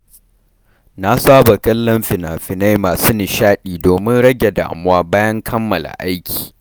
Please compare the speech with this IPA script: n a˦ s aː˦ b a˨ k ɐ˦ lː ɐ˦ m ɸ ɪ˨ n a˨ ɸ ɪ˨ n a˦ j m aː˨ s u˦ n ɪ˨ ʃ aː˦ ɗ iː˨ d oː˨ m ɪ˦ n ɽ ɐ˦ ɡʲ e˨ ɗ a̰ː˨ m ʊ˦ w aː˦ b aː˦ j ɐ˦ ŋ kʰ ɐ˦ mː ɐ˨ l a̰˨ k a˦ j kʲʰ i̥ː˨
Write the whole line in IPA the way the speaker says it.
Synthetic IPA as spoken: n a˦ s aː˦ b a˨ k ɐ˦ lː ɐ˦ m ɸ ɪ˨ n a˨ ɸ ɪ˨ n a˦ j m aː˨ s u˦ n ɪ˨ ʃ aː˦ ɗ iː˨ d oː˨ m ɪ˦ n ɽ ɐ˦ ɡʲ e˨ d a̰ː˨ m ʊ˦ w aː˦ b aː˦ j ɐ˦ ŋ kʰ ɐ˦ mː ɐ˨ l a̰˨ ʔ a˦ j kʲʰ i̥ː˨